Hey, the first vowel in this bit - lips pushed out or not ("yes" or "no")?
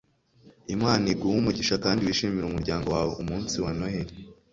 no